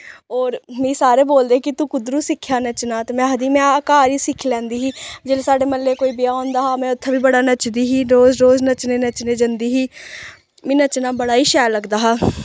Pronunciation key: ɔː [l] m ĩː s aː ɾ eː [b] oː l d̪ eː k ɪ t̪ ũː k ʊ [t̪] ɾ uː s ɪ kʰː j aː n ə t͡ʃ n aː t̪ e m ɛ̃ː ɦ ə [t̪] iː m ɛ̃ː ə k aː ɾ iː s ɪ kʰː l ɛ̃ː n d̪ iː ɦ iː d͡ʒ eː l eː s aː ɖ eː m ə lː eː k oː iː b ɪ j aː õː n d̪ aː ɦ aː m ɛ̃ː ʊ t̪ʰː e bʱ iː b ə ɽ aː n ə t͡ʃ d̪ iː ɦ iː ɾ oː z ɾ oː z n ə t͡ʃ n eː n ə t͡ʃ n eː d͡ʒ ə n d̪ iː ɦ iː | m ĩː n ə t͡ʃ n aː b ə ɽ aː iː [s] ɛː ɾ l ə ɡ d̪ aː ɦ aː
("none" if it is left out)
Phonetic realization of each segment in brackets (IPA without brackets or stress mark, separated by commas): ɾ, b, d̪, d̪, ʃ